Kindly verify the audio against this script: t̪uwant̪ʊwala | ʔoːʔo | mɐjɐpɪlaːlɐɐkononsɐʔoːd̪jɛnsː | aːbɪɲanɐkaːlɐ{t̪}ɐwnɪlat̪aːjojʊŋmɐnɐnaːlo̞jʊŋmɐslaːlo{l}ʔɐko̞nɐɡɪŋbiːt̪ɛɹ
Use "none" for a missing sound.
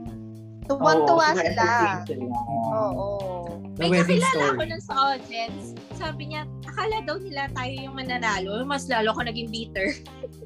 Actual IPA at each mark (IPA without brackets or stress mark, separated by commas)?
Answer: d̪, none